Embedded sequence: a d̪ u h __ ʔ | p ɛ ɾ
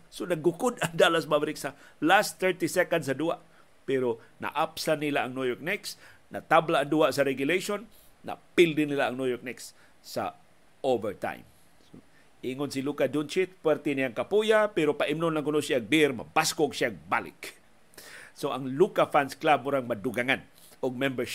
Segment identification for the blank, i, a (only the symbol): a